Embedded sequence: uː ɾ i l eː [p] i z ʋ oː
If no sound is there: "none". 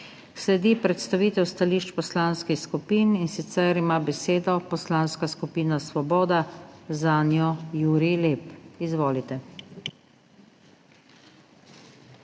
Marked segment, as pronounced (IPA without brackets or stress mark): p